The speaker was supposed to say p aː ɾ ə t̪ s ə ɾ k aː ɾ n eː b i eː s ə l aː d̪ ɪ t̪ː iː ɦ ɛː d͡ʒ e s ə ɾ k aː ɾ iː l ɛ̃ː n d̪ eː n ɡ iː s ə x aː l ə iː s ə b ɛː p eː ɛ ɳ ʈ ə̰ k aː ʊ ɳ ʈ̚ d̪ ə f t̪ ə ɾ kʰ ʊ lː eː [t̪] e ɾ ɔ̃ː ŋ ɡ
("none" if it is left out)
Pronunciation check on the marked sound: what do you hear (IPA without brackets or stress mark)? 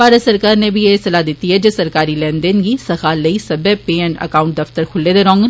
d̪